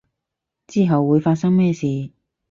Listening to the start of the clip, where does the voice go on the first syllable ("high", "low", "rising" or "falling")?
high